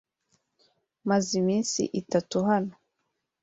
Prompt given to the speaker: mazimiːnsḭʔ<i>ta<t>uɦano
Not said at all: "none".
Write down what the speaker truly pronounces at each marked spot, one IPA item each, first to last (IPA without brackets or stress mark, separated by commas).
i, t